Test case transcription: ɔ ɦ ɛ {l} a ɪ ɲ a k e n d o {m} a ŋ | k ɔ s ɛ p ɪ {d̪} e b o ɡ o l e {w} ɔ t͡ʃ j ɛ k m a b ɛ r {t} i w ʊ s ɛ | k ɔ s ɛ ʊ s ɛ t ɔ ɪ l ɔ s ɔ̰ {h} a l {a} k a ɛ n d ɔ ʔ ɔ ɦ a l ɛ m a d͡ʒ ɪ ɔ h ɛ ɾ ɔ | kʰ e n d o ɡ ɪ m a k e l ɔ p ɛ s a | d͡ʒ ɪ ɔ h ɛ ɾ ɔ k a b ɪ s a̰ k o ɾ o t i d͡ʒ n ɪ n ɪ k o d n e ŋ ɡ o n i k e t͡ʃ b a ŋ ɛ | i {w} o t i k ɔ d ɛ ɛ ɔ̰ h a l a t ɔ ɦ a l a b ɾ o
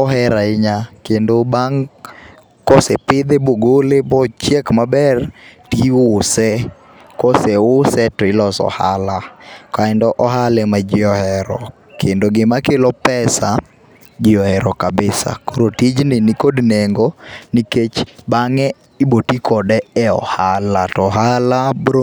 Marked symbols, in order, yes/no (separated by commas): no, no, yes, no, yes, yes, yes, no